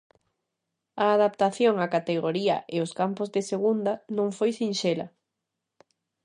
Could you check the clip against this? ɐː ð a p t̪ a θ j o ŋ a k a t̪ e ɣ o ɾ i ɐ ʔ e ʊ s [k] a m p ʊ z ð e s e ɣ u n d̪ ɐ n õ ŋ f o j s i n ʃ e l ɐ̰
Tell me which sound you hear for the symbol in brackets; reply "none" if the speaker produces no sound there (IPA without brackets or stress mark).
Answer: k